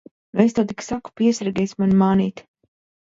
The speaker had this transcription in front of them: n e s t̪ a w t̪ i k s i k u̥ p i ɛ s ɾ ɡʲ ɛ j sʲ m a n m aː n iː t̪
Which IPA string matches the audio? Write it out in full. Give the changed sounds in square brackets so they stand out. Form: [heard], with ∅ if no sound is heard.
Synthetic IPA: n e s t̪ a w t̪ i k s [a] k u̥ p i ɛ s ɾ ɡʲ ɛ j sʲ m a n m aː n iː t̪